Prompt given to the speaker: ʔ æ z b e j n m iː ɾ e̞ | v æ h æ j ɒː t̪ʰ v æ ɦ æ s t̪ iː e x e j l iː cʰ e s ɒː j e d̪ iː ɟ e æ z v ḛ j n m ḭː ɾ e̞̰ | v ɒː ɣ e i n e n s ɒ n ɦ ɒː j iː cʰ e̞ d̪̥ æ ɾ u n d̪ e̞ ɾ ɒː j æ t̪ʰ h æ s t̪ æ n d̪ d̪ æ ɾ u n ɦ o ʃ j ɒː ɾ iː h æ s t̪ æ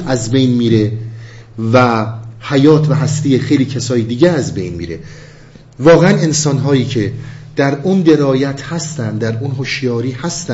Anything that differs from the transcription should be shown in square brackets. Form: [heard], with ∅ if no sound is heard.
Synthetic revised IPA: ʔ æ z b e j n m iː ɾ e̞ | v æ h æ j ɒː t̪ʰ v æ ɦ æ s t̪ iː e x e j l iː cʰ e s ɒː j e d̪ iː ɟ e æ z [b] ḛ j n m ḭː ɾ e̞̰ | v ɒː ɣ e [æ] n e n s ɒ n ɦ ɒː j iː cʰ e̞ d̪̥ æ ɾ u n d̪ e̞ ɾ ɒː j æ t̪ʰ h æ s t̪ æ n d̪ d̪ æ ɾ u n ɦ o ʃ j ɒː ɾ iː h æ s t̪ æ